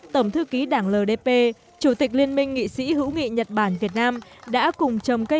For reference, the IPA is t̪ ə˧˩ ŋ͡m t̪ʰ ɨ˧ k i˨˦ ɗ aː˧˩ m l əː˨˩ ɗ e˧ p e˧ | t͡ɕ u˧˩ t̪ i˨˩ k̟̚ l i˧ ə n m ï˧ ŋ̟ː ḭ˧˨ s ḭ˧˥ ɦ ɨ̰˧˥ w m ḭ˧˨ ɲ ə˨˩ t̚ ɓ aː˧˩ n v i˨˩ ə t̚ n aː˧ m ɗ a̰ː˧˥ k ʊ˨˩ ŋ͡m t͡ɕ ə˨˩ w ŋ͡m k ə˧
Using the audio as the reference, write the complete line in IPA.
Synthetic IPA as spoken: t̪ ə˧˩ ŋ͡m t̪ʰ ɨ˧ k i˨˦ ɗ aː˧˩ ŋ l əː˨˩ ɗ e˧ p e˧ | t͡ɕ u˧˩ t̪ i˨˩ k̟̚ l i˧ ə n m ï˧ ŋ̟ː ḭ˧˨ s ḭ˧˥ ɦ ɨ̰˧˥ w ŋ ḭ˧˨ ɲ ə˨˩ t̚ ɓ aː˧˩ n v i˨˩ ə t̚ n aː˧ m ɗ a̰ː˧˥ k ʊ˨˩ ŋ͡m t͡ɕ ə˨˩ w ŋ͡m k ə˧